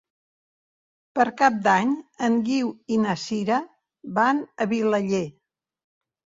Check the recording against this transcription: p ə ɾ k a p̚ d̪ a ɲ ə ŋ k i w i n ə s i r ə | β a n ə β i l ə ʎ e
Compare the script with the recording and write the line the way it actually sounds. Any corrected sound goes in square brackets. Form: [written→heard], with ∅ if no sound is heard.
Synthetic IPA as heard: p ə ɾ k a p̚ d̪ a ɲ ə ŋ [k→ɡ] i w i n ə s i [r→ɾ] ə | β a n ə β i l ə ʎ e

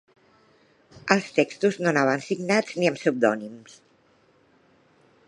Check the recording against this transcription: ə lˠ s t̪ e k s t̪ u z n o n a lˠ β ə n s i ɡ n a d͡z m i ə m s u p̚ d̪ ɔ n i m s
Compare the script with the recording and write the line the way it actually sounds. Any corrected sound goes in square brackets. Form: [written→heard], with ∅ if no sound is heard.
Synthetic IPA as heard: ə lˠ s t̪ e k s t̪ u z n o n a [lˠ→∅] β ə n s i ɡ n a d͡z [m→n] i ə m s u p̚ d̪ ɔ n i m s

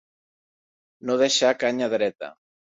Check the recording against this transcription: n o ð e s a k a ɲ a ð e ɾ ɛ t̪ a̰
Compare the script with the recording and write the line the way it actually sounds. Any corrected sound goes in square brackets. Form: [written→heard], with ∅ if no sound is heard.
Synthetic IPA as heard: n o ð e [s→ʃ] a k a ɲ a ð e ɾ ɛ t̪ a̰

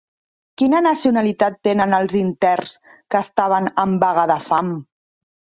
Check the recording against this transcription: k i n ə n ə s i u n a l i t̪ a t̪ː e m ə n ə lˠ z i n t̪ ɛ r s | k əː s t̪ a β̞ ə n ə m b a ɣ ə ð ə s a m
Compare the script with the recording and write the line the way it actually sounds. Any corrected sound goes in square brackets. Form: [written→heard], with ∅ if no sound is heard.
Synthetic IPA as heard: k i n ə n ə s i u n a l i t̪ a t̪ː e [m→n] ə n ə lˠ z i n t̪ ɛ r s | k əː s t̪ a β̞ ə n ə m b a ɣ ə ð ə [s→f] a m

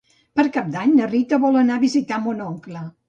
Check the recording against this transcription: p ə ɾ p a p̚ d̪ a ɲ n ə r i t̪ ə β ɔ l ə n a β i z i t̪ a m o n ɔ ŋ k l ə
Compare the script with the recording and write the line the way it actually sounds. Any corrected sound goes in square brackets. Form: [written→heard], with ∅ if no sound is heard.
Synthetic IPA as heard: p ə ɾ [p→k] a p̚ d̪ a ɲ n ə r i t̪ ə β ɔ l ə n a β i z i t̪ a m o n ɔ ŋ k l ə

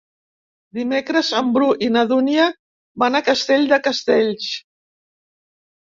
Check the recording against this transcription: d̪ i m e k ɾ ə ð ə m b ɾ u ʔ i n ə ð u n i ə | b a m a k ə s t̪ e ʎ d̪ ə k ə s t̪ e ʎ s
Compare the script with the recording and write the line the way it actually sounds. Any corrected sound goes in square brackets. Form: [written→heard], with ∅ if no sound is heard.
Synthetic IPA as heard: d̪ i m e k ɾ ə [ð→z] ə m b ɾ u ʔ i n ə ð u n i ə | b a [m→n] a k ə s t̪ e ʎ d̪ ə k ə s t̪ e ʎ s

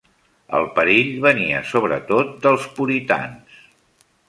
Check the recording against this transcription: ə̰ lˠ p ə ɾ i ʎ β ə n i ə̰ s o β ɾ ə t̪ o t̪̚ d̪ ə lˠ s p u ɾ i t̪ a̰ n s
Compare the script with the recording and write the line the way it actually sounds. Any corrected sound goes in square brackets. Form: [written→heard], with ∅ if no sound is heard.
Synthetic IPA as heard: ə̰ lˠ p ə ɾ i ʎ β ə n i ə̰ s o β ɾ ə t̪ o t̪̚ d̪ ə lˠ s p u ɾ i t̪ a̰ n s

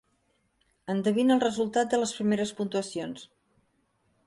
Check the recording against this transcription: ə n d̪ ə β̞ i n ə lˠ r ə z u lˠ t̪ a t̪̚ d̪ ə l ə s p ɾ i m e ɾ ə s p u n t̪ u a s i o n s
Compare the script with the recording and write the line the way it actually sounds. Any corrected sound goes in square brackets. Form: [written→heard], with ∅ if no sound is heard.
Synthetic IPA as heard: ə n d̪ ə β̞ i n ə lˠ r ə z u lˠ t̪ a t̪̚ d̪ ə l ə s p ɾ i m e ɾ ə s p u n t̪ u [a→ə] s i o n s

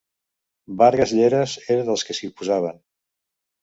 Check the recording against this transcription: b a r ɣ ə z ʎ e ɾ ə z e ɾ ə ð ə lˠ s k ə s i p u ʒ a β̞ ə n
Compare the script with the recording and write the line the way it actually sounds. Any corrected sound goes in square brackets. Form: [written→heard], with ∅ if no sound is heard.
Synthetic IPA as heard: b a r ɣ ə z ʎ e ɾ ə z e ɾ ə ð ə lˠ s k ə s i p u [ʒ→z] a β̞ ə n

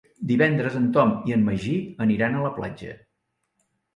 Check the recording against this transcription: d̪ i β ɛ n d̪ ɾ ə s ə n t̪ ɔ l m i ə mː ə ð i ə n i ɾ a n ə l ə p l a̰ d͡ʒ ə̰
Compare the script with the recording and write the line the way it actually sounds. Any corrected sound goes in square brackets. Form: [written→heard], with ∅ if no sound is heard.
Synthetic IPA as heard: d̪ i β ɛ n d̪ ɾ ə [s→z] ə n t̪ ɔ [l→∅] m i ə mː ə [ð→ʒ] i ə n i ɾ a n ə l ə p l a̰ d͡ʒ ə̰

